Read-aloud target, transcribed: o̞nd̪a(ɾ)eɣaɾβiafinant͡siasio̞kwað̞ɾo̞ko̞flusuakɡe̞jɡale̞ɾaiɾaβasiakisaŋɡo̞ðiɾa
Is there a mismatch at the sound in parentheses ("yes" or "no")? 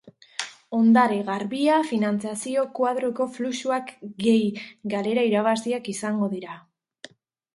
no